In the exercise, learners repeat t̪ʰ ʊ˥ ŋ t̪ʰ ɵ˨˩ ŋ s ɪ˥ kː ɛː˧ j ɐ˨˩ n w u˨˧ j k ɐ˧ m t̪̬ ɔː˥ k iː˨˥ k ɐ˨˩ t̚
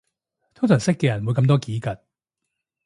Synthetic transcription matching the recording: t̪ʰ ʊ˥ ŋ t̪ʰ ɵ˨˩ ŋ s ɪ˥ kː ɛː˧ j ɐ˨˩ n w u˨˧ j k ɐ˧ m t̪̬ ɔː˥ k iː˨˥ k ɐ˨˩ t̚